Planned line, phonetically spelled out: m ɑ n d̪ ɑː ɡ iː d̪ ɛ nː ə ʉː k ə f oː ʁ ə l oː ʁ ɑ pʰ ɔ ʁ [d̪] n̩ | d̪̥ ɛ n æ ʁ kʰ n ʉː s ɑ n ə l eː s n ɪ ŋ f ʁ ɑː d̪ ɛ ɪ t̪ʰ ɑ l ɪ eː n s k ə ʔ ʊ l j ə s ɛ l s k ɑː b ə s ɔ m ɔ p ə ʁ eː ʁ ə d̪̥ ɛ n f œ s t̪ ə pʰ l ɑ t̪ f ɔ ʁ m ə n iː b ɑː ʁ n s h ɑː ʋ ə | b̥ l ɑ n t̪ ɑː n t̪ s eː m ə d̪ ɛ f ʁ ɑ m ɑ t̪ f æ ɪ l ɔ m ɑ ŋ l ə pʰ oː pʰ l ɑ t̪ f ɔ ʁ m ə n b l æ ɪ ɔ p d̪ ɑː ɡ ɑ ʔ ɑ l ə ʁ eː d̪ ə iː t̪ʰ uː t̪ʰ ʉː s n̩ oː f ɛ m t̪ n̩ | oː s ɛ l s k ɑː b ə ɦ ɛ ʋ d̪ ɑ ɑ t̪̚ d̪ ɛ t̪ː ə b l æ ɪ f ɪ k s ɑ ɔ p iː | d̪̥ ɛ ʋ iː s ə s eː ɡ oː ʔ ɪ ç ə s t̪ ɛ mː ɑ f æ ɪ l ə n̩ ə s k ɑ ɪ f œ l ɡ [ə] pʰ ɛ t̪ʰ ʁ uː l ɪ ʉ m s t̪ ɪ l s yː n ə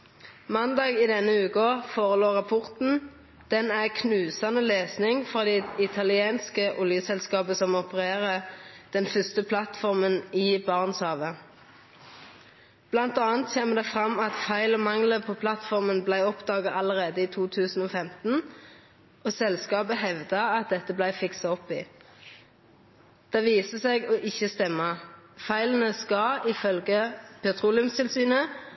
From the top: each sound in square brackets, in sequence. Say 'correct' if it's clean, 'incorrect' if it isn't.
incorrect, correct

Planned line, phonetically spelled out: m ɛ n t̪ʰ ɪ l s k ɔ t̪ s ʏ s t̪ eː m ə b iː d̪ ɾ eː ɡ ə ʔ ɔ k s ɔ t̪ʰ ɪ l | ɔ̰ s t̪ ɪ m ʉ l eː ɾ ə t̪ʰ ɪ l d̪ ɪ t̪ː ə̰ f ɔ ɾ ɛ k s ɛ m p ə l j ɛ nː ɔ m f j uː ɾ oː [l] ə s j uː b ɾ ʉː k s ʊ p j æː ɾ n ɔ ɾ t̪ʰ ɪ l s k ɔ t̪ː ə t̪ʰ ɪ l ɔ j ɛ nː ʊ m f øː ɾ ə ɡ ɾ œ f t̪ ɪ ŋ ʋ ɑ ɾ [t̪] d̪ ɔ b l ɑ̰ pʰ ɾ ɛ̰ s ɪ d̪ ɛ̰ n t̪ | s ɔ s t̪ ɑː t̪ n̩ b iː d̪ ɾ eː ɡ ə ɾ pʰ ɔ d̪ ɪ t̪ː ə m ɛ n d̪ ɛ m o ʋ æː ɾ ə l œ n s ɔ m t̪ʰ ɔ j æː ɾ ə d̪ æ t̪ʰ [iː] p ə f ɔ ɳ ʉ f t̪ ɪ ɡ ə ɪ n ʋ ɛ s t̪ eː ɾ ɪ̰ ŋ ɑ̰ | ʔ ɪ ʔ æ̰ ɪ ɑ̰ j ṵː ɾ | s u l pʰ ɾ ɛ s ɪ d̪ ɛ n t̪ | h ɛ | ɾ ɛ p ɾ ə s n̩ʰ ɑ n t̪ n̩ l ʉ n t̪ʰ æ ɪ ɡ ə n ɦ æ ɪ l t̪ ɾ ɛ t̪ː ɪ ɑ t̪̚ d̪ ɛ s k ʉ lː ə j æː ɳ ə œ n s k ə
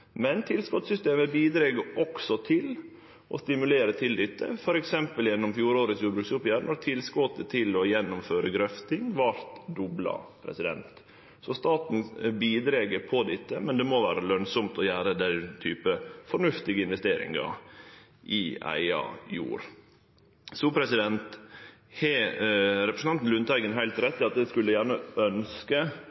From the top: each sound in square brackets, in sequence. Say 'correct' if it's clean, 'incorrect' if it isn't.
incorrect, correct, incorrect

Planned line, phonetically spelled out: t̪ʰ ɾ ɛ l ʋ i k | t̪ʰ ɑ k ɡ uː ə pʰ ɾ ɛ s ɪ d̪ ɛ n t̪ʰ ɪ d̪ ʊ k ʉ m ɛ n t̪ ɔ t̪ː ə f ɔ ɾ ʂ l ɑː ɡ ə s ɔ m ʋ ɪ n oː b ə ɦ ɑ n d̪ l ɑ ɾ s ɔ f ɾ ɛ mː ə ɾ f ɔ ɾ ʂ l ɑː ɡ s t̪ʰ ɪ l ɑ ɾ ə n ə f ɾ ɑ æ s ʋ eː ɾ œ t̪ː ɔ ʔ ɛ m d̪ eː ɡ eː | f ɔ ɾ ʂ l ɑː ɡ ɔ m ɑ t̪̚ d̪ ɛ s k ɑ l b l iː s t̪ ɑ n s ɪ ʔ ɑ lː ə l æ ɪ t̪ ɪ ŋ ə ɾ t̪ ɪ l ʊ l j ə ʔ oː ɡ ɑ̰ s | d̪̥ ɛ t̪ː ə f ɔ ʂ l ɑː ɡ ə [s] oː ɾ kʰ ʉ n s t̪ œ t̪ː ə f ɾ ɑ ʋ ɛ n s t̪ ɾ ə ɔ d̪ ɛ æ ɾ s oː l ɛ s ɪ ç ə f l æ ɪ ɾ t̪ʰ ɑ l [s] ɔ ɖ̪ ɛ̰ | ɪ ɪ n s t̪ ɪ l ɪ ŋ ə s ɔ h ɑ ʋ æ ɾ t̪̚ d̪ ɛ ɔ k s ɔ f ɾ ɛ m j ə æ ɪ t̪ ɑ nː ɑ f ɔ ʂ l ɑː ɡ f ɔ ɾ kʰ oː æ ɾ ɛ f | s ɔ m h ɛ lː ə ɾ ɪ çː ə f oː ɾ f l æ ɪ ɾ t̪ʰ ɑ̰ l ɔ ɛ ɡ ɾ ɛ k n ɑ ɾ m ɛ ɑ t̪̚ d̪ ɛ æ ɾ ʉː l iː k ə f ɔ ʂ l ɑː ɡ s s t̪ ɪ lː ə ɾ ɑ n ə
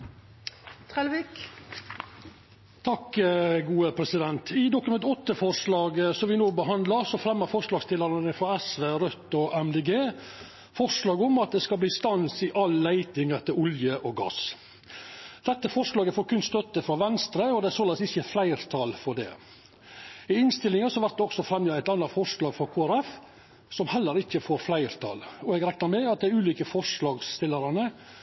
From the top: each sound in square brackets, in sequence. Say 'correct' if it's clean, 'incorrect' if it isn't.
incorrect, incorrect

